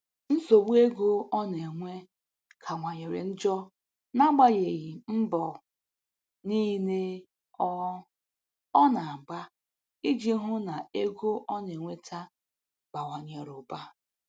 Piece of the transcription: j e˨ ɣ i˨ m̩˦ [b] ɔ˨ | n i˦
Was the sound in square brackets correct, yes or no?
yes